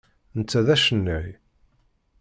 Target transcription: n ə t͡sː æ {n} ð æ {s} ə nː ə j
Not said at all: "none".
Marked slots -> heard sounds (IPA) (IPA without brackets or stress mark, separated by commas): none, ʃ